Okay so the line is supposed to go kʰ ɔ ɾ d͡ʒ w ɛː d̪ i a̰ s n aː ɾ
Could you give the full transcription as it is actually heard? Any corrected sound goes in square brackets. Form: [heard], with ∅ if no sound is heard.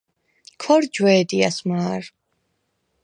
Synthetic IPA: kʰ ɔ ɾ d͡ʒ w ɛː d̪ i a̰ s [m] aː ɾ